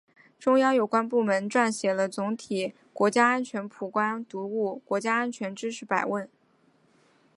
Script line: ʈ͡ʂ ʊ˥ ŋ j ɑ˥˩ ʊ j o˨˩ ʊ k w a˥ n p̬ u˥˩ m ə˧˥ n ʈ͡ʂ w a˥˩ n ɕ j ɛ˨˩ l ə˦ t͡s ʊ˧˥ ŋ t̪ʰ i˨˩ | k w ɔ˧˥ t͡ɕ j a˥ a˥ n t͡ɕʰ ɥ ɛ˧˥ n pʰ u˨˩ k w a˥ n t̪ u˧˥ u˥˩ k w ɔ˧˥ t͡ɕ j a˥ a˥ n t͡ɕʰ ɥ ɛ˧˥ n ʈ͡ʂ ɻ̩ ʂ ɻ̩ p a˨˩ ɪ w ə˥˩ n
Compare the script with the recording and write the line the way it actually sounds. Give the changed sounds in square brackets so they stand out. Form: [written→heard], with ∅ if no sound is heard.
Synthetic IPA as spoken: ʈ͡ʂ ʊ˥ ŋ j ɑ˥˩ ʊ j o˨˩ ʊ k w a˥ n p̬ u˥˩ m ə˧˥ n ʈ͡ʂ w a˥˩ n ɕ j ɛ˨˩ l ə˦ t͡s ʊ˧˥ ŋ t̪ʰ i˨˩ | k w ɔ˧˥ t͡ɕ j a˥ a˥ n t͡ɕʰ ɥ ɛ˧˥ n pʰ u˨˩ k w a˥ n t̪ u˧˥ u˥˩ k w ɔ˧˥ t͡ɕ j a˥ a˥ n t͡ɕʰ ɥ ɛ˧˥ n ʈ͡ʂ ɻ̩ ʂ ɻ̩ p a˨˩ ɪ w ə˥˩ n